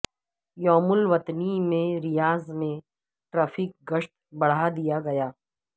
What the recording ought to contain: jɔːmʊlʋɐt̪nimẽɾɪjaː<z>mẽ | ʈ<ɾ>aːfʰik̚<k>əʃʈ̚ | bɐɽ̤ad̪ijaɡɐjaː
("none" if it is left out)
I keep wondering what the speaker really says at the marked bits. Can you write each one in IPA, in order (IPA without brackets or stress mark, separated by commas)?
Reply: z, ɾ, ɡ